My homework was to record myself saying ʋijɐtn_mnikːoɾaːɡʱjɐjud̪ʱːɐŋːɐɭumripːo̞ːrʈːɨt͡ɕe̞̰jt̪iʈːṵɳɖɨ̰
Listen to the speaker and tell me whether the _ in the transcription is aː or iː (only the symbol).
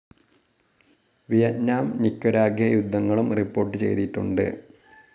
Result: aː